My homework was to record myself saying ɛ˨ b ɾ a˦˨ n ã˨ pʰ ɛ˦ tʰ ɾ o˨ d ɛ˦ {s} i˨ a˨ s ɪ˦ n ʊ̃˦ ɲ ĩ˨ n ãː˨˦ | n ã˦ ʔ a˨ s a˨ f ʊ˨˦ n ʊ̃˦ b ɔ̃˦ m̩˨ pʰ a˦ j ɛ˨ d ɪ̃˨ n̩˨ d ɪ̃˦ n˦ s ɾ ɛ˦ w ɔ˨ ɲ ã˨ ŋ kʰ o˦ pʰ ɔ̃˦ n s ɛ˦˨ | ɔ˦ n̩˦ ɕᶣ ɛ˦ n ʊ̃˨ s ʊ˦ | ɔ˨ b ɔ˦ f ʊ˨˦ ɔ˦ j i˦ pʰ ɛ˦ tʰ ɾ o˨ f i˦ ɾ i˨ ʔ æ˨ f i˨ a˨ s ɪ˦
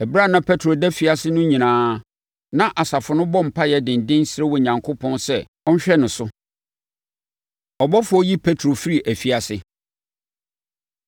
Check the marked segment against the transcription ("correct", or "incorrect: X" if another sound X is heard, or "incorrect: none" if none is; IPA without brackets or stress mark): incorrect: f